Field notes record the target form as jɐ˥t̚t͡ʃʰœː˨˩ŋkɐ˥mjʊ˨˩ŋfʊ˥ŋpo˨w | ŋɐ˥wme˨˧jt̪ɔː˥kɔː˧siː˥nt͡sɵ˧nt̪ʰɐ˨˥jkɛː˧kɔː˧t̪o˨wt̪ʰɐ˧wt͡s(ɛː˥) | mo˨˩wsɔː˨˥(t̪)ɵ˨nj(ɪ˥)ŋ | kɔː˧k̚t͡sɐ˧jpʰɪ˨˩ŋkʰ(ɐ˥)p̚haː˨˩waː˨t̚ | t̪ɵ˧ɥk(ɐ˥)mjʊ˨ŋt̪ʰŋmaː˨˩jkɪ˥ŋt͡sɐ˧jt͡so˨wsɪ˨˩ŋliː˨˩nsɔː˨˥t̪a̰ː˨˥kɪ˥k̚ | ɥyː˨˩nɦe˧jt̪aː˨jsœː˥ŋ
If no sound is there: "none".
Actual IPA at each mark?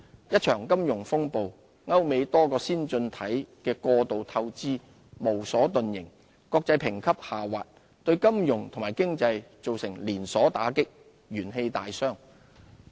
iː˥, t̪, ɪ˨˩, ɐ˥, ɐ˥

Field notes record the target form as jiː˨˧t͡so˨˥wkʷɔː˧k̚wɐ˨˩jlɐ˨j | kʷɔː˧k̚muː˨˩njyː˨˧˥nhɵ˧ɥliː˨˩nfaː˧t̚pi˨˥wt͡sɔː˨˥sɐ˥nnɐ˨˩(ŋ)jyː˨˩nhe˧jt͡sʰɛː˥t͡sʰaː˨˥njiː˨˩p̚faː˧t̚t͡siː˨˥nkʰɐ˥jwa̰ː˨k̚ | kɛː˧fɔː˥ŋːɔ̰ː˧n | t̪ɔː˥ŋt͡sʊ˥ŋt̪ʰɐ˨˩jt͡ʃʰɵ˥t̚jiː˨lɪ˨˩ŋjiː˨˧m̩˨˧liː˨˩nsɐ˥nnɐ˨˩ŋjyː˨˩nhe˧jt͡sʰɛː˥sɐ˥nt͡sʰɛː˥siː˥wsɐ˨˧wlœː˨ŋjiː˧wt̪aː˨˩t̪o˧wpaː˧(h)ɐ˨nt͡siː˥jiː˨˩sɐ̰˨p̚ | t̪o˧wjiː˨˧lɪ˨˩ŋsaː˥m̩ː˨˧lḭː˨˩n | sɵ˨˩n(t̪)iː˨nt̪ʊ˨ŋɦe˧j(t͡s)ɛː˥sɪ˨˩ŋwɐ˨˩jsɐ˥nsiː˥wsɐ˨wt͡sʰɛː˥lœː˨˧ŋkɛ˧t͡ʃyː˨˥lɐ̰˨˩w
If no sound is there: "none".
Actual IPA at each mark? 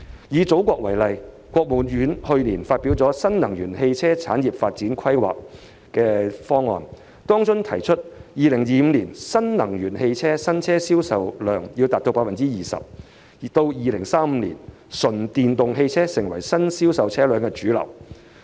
ŋ, f, t̪, t͡sʰ

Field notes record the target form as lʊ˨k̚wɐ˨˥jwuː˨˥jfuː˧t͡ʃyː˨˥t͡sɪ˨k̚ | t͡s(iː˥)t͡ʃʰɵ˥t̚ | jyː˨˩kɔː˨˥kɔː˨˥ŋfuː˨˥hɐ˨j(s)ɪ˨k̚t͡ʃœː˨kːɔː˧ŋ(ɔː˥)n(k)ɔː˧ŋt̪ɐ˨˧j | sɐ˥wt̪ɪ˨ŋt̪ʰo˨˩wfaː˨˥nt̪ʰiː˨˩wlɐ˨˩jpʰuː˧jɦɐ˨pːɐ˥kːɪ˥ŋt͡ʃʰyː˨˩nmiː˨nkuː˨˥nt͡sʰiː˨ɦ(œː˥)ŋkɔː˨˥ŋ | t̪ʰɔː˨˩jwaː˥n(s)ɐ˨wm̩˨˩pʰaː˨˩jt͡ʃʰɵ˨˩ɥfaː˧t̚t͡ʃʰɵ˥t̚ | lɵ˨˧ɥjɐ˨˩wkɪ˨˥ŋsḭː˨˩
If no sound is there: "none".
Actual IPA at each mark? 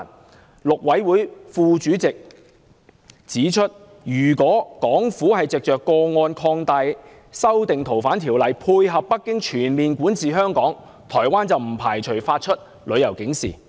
iː˨˥, t͡s, ɔː˧, kʰ, œː˥, t͡s

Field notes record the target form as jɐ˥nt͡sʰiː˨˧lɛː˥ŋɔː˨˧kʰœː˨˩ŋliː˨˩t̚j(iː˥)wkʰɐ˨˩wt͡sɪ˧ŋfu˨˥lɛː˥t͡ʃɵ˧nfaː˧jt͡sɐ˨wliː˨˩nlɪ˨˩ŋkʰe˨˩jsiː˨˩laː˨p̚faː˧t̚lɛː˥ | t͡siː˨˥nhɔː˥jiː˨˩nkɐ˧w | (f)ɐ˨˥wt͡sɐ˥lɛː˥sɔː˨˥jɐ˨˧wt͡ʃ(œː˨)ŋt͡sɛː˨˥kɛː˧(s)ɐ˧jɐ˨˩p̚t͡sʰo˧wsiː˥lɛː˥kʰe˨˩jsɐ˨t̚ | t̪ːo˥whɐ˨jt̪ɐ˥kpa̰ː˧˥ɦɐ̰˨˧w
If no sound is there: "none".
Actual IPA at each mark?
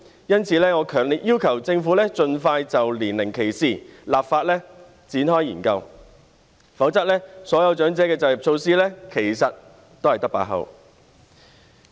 iː˥, f, œː˨˥, t͡s

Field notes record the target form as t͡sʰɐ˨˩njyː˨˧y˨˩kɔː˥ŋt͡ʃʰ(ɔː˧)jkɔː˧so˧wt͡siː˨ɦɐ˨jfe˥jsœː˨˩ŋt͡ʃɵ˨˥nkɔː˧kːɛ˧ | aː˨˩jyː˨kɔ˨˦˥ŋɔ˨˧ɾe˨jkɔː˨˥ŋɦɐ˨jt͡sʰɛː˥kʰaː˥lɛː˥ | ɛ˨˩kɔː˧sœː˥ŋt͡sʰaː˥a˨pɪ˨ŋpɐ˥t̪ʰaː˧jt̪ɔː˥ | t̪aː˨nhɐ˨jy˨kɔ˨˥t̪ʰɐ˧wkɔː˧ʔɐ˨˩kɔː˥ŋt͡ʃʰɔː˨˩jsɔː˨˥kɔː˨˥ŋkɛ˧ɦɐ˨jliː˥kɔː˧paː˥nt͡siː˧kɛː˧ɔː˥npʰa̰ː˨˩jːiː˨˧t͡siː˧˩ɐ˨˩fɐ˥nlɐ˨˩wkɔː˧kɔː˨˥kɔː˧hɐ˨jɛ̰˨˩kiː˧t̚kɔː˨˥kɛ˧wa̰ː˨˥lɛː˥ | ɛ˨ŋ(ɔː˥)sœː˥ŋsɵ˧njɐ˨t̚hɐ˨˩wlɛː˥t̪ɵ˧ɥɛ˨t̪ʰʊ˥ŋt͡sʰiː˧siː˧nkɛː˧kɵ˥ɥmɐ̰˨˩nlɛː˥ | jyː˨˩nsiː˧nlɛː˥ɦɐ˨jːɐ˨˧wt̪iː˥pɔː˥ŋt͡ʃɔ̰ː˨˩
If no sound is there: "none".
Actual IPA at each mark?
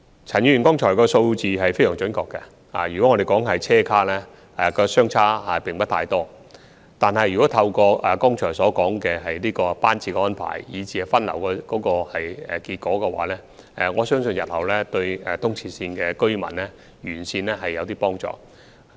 ɔː˨˩, ɔː˨˧

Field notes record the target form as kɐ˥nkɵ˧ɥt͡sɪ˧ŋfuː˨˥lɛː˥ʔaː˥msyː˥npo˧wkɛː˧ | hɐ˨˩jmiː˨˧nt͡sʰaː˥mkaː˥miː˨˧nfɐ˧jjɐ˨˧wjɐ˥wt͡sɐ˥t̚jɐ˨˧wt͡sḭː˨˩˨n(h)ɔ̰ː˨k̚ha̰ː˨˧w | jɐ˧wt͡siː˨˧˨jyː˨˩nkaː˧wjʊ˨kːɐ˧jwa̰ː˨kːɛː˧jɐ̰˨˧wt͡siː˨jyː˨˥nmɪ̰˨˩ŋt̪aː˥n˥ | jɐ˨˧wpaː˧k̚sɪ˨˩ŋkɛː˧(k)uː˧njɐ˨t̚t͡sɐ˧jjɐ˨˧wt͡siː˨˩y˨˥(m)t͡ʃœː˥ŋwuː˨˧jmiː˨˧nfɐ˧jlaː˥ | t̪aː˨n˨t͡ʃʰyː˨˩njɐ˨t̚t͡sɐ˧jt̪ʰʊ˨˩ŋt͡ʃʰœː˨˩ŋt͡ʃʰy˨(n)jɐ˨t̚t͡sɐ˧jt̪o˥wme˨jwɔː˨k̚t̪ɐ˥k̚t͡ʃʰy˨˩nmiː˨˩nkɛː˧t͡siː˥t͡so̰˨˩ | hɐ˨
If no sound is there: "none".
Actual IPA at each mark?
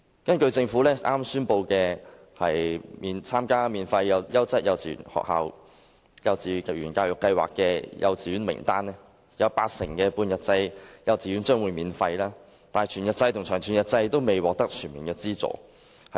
h, p, n, n

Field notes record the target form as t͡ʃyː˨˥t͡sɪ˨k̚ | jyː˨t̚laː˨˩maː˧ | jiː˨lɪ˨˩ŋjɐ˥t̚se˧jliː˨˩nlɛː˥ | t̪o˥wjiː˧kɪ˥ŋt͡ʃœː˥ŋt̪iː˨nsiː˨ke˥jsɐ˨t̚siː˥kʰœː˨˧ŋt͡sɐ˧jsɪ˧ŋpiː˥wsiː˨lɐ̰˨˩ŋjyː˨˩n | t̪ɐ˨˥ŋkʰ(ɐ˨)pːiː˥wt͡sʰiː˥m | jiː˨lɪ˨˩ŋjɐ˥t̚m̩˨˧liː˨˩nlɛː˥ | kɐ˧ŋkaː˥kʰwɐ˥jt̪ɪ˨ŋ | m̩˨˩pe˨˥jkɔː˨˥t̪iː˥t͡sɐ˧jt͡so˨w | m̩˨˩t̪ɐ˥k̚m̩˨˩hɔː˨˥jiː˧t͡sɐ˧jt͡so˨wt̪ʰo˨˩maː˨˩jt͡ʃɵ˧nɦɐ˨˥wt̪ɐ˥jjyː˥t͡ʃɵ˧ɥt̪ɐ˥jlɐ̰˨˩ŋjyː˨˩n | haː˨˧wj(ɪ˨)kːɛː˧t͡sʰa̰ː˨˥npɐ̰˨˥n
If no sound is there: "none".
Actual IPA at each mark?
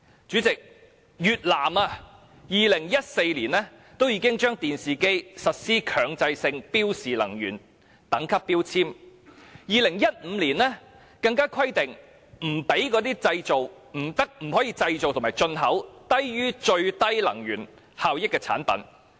ɐ˥, ɪ˥

